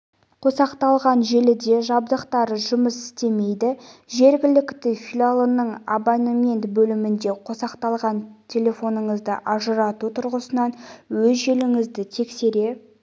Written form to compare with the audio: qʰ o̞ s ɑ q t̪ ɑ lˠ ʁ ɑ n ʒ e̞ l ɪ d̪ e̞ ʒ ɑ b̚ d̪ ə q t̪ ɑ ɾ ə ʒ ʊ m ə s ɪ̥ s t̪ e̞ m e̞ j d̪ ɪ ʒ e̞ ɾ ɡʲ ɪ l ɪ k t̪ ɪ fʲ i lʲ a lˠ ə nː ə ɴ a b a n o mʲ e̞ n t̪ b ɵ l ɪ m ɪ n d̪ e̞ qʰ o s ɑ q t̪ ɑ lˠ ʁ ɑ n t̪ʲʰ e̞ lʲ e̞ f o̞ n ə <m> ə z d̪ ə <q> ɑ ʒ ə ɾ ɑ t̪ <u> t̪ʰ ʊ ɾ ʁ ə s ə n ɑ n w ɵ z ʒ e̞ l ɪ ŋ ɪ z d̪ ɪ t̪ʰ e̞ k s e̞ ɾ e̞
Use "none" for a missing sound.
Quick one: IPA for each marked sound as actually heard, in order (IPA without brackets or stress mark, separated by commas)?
ɴ, ʔ, u